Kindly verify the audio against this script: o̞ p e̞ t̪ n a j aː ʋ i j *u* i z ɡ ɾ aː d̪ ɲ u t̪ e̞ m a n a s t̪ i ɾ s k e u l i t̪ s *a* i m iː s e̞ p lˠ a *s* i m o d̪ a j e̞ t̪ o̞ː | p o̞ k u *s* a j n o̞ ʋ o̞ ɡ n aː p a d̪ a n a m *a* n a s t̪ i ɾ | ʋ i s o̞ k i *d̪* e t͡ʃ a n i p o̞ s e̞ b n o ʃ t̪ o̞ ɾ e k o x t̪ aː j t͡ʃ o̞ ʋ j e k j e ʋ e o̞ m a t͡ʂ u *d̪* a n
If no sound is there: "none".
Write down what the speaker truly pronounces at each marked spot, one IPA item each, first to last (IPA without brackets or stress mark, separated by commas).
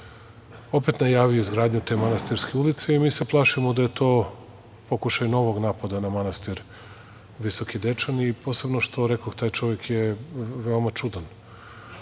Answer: o, e, ʃ, ʃ, a, d̪, d̪